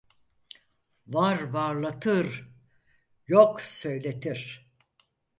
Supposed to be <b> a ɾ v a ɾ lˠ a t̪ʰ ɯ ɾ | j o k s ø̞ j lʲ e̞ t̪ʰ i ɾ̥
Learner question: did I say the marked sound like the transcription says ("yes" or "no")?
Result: no